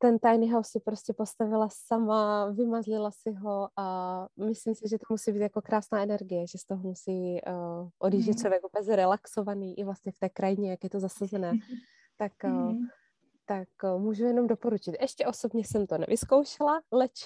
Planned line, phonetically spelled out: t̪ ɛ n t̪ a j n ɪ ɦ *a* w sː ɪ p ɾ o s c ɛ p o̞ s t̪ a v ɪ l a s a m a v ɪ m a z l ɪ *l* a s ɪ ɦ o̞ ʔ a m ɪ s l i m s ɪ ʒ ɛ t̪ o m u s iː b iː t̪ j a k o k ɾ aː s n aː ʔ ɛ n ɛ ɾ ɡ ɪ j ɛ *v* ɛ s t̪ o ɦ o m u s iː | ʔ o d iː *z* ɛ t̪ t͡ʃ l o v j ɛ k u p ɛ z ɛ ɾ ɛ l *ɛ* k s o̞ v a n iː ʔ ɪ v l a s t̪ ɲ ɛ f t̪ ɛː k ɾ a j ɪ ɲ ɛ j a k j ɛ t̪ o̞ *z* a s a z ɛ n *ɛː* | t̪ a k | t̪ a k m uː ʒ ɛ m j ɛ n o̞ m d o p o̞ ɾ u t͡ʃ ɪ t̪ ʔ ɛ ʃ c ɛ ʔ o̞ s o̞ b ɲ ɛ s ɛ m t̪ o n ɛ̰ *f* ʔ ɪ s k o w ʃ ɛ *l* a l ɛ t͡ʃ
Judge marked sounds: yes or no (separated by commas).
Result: yes, yes, no, no, no, yes, yes, no, yes